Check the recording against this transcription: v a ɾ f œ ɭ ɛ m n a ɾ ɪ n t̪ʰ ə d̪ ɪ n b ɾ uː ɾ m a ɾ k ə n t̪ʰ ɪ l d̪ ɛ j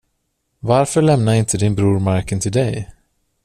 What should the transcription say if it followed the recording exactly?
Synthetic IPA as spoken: v a ɾ f œ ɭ ɛ m n a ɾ ɪ n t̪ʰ ə d̪ ɪ n b ɾ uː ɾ m a ɾ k ə n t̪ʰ ɪ l d̪ ɛ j